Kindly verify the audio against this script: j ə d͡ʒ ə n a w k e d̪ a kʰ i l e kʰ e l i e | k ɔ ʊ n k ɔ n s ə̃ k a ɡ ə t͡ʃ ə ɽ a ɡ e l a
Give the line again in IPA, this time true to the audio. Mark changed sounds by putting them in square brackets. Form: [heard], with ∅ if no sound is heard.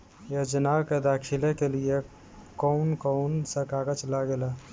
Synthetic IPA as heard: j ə d͡ʒ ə n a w k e d̪ a kʰ i l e [k] e l i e | k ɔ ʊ n k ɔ n s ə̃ k a ɡ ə t͡ʃ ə [l] a ɡ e l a